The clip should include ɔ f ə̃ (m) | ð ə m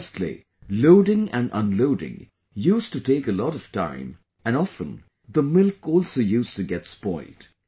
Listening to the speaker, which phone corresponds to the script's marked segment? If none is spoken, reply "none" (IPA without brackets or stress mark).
n